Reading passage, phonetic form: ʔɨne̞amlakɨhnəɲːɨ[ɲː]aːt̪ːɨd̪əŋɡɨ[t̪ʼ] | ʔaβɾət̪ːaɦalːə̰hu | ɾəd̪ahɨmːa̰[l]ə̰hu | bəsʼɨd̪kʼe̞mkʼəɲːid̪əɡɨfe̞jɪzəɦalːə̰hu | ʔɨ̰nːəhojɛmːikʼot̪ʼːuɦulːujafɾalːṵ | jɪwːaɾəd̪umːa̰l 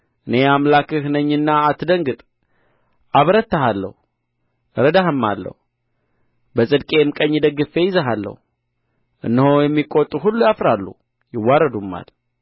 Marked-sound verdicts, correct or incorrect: incorrect: nː, correct, incorrect: lː

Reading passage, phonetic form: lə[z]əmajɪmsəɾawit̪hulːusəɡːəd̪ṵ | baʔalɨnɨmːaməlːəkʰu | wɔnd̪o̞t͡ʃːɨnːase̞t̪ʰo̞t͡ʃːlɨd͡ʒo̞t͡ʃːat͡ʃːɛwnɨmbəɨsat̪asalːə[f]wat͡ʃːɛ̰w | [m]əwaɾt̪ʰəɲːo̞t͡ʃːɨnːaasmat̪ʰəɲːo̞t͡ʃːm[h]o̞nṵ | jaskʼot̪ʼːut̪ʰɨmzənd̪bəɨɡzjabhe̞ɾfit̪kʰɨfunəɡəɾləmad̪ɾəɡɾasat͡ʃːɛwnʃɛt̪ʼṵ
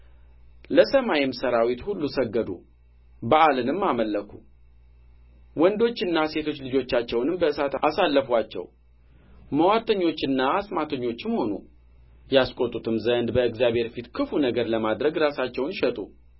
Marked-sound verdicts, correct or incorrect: incorrect: s, correct, correct, correct

